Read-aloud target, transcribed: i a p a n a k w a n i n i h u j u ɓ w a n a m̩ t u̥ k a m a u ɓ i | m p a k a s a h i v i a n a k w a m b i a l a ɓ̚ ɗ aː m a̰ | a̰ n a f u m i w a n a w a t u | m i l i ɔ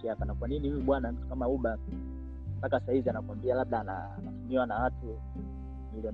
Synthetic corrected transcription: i a p a n a k w a n i n i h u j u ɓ w a n a m̩ t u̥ k a m a u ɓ a | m p a k a s a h i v i a n a k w a m b i a l a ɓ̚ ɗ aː n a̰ | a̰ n a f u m i w a n a w a t u | m i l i ɔ